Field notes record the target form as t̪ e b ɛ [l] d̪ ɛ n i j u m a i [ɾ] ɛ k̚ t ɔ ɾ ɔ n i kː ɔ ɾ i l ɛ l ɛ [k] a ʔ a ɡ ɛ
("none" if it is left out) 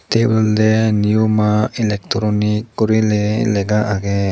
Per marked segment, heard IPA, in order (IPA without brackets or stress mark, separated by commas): l, l, ɡ